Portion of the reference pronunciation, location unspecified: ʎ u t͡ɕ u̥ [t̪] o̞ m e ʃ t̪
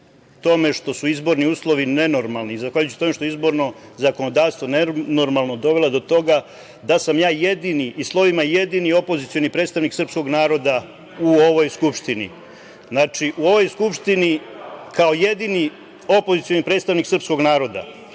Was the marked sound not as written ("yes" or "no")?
no